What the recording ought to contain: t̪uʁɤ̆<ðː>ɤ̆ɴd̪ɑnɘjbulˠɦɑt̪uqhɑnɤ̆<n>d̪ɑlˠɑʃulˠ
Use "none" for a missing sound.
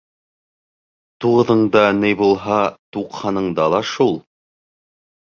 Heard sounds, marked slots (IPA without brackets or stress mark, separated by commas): ð, ɴ